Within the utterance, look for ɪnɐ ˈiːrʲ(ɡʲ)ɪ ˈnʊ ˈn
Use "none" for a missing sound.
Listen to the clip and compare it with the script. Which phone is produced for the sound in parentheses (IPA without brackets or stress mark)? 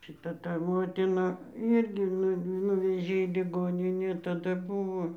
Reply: ɡʲ